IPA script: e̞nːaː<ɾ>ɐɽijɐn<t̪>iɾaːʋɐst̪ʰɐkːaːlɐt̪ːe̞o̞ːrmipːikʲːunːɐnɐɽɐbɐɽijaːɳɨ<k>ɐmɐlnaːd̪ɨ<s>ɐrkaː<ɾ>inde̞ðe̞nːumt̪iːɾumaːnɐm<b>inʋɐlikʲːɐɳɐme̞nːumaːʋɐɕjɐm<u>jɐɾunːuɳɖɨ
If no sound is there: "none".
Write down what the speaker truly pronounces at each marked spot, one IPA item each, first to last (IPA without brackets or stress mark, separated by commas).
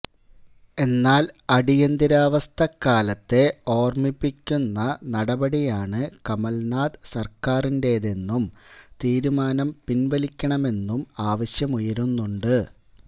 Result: l, d̪, k, s, r, p, u